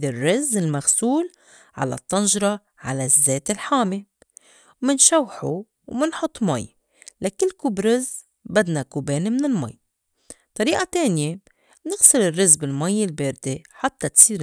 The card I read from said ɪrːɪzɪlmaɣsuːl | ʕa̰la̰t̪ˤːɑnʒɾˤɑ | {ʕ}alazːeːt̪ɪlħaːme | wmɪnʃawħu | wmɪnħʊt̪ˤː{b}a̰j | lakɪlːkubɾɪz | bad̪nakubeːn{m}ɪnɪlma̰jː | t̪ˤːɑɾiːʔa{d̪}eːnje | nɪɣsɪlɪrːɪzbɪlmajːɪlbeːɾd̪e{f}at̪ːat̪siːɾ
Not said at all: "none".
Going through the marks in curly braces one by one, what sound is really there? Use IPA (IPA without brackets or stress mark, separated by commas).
ʕ, m, m, t̪, ħ